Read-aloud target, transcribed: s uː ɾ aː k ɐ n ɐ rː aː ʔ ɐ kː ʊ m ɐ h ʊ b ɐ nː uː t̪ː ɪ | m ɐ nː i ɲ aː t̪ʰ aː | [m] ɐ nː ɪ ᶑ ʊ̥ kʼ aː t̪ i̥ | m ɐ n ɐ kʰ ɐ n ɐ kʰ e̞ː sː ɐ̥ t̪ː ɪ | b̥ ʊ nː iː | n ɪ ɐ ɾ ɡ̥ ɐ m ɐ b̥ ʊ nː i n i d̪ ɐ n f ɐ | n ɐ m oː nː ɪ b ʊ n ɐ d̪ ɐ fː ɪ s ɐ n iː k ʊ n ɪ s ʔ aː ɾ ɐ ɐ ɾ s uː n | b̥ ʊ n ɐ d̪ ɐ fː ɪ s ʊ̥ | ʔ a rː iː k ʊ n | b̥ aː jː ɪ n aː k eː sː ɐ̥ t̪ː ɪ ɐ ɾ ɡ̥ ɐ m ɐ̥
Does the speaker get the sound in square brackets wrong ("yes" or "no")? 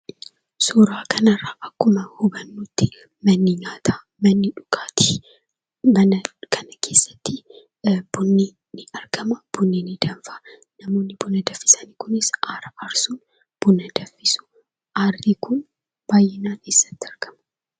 no